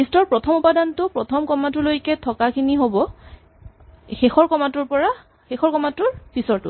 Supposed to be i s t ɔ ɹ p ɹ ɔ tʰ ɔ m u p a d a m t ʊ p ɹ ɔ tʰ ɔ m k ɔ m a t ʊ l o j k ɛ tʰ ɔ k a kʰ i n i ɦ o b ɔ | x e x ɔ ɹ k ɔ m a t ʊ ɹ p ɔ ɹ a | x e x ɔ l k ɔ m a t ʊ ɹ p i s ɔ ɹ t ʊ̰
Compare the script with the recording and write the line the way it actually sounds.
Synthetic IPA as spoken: i s t ɔ ɹ p ɹ ɔ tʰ ɔ m u p a d a n t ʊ p ɹ ɔ tʰ ɔ m k ɔ m a t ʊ l o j k ɛ tʰ ɔ k a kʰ i n i ɦ o b ɔ | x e x ɔ ɹ k ɔ m a t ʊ ɹ p ɔ ɹ a | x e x ɔ ɹ k ɔ m a t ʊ ɹ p i s ɔ ɹ t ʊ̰